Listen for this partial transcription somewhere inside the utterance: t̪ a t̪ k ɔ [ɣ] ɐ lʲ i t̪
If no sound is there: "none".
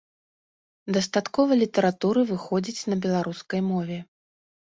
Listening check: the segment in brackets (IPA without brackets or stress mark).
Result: v